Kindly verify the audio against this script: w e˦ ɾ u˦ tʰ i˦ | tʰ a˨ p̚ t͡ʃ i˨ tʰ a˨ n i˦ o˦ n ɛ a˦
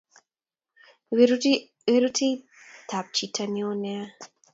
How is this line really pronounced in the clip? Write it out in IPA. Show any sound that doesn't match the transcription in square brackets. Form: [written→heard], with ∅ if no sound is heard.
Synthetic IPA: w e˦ ɾ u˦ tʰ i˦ | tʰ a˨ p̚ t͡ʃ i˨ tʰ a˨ n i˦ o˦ n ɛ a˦